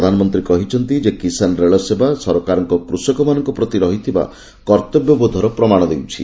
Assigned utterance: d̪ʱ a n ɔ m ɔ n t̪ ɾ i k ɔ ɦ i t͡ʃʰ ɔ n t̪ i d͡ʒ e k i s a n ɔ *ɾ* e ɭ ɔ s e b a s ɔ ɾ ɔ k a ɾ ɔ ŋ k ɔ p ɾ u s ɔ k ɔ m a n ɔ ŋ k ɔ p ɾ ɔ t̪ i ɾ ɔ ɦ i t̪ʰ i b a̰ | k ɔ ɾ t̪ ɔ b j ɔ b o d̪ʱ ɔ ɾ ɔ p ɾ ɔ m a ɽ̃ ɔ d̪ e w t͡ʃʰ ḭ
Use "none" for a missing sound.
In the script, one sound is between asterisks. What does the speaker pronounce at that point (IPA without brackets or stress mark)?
ɾ